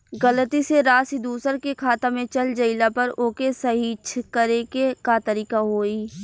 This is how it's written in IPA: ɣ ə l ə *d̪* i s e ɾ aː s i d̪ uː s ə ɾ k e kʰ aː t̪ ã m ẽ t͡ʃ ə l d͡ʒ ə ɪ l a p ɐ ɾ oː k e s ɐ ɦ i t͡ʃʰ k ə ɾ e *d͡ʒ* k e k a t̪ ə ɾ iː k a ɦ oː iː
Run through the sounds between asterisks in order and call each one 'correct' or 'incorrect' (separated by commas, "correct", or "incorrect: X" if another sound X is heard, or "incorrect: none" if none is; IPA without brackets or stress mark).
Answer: incorrect: t̪, incorrect: none